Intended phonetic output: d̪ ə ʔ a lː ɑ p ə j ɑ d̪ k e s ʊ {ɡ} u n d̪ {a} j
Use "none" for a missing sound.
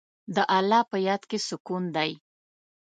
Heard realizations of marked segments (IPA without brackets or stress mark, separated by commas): k, a